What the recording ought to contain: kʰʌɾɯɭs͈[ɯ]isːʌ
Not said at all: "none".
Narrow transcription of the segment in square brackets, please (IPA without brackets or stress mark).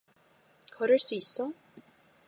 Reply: u